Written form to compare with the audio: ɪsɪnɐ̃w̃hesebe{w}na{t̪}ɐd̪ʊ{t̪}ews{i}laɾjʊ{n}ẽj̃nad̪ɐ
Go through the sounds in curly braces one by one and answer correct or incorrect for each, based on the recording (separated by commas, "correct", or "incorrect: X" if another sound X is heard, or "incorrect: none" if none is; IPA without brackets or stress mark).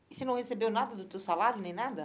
correct, incorrect: d̪, correct, incorrect: a, correct